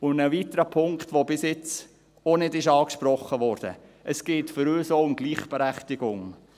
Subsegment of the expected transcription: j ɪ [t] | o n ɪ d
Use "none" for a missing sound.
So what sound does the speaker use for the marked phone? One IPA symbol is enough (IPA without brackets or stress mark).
t͡s